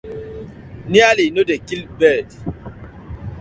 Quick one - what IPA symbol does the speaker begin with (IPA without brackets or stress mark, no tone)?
n